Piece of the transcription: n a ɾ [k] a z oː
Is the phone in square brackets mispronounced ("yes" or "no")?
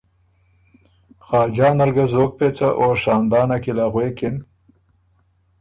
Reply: yes